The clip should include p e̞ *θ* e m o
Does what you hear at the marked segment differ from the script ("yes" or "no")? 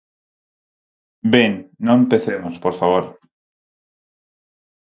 no